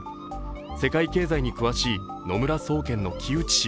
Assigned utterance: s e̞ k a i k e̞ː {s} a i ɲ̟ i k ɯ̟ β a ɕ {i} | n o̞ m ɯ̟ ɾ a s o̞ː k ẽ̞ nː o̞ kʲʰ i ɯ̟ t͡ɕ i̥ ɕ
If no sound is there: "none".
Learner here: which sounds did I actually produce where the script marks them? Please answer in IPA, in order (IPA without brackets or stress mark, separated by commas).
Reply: z, iː